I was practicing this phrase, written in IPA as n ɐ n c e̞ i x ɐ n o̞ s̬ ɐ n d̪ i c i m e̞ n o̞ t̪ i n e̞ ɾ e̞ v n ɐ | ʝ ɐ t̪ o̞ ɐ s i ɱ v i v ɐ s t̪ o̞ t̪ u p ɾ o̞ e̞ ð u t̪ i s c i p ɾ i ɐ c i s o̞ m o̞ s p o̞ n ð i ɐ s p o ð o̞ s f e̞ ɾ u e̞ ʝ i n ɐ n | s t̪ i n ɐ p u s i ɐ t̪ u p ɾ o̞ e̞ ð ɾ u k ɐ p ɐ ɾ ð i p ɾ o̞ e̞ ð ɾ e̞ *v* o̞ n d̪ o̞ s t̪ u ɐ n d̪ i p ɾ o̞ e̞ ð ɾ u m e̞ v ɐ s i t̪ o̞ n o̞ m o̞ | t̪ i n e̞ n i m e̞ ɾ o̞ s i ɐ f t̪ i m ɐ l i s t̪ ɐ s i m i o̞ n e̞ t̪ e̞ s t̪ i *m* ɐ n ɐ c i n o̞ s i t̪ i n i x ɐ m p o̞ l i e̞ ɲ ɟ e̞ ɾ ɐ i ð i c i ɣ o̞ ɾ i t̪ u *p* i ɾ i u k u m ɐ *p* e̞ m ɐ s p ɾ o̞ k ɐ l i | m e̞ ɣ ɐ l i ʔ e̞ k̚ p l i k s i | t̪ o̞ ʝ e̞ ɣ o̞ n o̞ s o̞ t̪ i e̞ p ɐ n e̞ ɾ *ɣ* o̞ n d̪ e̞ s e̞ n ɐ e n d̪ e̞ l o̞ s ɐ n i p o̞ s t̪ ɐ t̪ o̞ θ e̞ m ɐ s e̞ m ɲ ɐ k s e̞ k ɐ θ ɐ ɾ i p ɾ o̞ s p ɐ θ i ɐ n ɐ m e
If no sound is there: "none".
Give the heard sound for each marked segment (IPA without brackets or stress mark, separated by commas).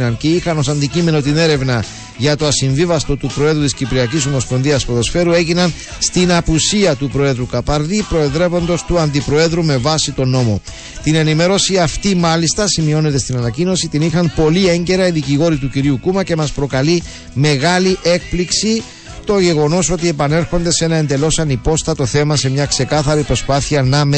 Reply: v, n, c, c, x